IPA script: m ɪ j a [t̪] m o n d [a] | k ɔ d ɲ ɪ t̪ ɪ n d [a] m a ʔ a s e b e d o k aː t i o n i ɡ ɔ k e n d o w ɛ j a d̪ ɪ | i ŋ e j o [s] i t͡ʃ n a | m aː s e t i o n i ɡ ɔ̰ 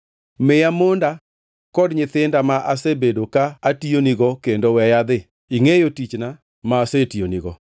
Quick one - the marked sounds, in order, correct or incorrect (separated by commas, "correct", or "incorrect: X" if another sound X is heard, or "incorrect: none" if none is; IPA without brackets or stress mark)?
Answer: incorrect: none, correct, correct, incorrect: t